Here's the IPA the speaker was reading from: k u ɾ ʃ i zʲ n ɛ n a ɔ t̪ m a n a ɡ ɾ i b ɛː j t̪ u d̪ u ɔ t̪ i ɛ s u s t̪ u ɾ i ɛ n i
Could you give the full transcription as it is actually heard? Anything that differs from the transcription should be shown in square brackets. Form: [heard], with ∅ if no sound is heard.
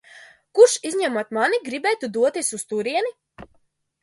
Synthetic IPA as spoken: k u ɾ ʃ i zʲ [ɲ] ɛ [m] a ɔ t̪ m a n [i] ɡ ɾ i b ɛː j t̪ u d̪ u ɔ t̪ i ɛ s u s t̪ u ɾ i ɛ n i